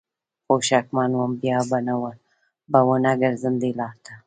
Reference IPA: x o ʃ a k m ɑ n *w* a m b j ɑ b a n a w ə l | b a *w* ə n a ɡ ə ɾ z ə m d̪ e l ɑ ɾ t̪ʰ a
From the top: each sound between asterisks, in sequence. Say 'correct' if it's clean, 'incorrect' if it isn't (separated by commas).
correct, correct